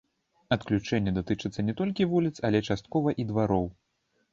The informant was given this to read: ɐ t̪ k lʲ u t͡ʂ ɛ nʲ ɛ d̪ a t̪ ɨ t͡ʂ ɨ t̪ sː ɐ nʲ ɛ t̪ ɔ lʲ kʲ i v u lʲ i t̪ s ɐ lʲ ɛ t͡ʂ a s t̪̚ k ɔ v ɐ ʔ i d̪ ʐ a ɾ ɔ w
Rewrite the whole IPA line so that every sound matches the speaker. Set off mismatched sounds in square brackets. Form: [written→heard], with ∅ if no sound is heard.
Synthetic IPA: ɐ t̪ k lʲ u t͡ʂ ɛ [nʲ→nʲː] ɛ d̪ a t̪ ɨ t͡ʂ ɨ t̪ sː ɐ nʲ ɛ t̪ ɔ lʲ kʲ i v u lʲ i t̪ s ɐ lʲ ɛ t͡ʂ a s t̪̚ k ɔ v ɐ ʔ i d̪ [ʐ→v] a ɾ ɔ w